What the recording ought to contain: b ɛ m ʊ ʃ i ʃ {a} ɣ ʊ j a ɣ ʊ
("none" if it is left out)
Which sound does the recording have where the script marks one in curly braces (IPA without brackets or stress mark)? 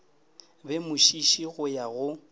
i